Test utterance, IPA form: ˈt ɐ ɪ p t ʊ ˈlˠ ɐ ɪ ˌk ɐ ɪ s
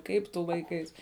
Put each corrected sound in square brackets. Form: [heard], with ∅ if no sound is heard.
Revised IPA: [ˈk] ɐ ɪ p t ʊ ˈlˠ ɐ ɪ ˌk ɐ ɪ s